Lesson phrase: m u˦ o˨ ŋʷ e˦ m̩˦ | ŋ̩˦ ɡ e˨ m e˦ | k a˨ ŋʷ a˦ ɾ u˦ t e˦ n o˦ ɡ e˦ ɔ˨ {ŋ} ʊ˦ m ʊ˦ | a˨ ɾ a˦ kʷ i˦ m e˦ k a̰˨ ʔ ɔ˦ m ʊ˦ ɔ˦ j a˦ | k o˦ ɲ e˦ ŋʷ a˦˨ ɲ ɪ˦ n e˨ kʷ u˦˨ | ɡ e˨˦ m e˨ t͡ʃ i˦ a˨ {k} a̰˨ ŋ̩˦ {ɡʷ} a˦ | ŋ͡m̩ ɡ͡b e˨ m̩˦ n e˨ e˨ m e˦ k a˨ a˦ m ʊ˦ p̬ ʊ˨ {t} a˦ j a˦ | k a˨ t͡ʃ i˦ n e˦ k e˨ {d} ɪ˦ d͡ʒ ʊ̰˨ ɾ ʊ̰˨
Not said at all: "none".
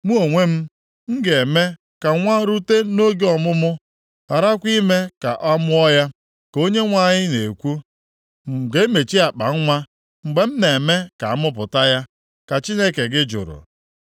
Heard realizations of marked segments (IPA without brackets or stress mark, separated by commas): m, k͡p, ŋʷ, t, ɡ